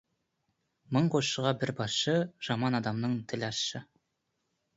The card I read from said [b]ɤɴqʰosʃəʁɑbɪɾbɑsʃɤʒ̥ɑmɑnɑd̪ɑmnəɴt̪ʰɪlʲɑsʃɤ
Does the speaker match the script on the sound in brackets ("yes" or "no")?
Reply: no